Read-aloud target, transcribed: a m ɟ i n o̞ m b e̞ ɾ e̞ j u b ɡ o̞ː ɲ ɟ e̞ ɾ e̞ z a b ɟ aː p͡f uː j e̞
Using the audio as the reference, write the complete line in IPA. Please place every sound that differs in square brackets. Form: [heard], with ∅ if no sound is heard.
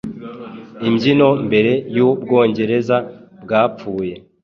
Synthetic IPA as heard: [i] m ɟ i n o̞ m b e̞ ɾ e̞ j u b ɡ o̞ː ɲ ɟ e̞ ɾ e̞ z a b [ɡ] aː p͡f uː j e̞